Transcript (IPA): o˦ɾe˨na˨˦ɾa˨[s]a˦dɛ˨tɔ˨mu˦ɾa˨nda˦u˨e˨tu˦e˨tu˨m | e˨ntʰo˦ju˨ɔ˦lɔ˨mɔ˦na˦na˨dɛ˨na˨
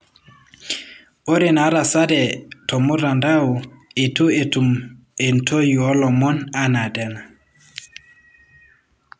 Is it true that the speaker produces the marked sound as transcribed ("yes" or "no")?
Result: yes